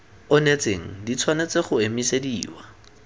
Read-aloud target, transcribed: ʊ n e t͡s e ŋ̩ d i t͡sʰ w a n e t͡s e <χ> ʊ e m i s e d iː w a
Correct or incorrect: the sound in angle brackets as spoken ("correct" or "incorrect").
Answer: correct